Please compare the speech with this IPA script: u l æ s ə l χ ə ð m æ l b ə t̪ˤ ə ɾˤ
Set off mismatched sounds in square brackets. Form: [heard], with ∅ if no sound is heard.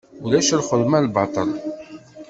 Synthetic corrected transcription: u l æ [ʃ] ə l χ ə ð m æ l b [ɑ] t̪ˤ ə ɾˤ

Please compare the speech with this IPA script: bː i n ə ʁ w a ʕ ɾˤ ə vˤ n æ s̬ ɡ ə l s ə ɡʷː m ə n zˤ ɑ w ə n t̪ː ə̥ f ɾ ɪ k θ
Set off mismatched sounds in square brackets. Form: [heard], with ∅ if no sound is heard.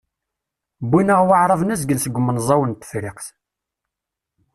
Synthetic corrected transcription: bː i n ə ʁ w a ʕ ɾˤ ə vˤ n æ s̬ ɡ ə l s ə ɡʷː m ə n zˤ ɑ w ə n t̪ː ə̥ f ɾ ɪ [q] θ

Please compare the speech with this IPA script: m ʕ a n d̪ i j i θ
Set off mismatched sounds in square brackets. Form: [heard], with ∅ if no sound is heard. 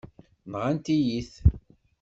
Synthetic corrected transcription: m [ʁ] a n [t̪] i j i θ

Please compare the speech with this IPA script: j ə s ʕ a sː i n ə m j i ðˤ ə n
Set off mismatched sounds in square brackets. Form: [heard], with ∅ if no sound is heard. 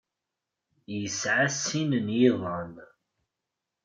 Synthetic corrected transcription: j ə s ʕ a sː i n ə [n] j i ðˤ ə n

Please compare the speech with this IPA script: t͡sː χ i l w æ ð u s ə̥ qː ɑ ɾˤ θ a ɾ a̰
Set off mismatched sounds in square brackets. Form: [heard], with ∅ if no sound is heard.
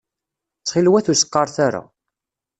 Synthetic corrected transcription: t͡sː χ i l w æ [θ] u s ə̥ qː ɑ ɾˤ θ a ɾ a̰

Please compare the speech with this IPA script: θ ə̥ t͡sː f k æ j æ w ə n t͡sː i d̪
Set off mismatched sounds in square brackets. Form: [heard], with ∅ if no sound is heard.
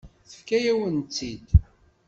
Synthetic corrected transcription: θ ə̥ [∅] f k æ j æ w ə n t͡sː i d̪

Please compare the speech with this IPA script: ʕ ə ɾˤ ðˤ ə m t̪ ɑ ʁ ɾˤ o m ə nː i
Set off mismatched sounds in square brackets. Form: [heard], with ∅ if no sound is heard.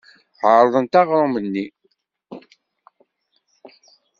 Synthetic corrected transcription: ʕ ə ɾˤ ðˤ ə [n] t̪ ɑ ʁ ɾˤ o m ə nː i

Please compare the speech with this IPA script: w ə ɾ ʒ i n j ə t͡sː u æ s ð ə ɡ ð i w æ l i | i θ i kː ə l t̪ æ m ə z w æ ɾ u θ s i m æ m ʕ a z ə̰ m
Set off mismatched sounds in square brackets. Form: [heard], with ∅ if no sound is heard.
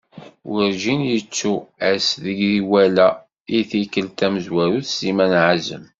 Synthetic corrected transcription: w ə ɾ ʒ i n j ə t͡sː u æ s ð ə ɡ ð i w æ l [æ] | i θ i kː ə l t̪ æ m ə z w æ ɾ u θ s i m æ [n] ʕ a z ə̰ m

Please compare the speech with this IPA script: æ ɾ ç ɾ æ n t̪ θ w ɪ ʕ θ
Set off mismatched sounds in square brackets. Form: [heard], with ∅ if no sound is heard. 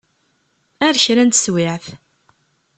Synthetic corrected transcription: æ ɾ ç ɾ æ n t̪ [s] w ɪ ʕ θ

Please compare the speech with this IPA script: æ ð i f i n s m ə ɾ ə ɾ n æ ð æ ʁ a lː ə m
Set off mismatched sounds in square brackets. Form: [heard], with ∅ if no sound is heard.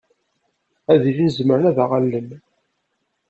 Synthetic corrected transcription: æ ð i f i n [z] m ə ɾ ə [∅] n æ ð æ ʁ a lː ə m

